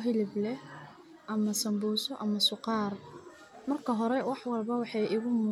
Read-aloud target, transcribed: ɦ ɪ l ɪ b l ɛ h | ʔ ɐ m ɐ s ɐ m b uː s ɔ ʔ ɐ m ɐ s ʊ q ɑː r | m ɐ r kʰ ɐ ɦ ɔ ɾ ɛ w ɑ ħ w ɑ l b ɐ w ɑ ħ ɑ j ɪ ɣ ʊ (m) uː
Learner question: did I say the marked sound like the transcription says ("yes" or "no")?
yes